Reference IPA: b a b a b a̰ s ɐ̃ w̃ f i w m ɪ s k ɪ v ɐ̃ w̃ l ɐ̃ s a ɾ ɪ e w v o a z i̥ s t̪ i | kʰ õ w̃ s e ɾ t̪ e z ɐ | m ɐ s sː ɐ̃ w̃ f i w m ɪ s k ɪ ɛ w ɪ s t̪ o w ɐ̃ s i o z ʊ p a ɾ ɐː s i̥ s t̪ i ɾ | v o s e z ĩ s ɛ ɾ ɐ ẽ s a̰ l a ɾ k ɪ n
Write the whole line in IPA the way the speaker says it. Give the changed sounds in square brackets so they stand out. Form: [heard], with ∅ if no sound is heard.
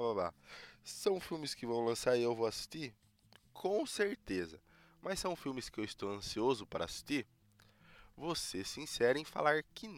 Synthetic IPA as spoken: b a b a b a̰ s ɐ̃ w̃ f i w m ɪ s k ɪ v ɐ̃ w̃ l ɐ̃ s a ɾ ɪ e w v o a [s] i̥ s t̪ i | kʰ õ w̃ s e ɾ t̪ e z ɐ | m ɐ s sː ɐ̃ w̃ f i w m ɪ s k ɪ [e] w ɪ s t̪ o w ɐ̃ s i o z ʊ p a ɾ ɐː s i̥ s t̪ i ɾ | v o s e [s] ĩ s ɛ ɾ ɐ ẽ [f] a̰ l a ɾ k ɪ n